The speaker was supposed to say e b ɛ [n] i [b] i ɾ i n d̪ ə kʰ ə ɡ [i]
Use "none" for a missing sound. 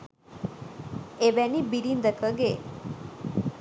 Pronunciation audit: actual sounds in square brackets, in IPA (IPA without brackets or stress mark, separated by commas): n, b, e